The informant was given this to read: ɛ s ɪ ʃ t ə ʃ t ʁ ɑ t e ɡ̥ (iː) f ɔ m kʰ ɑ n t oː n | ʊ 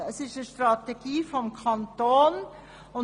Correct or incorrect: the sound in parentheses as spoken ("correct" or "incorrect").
correct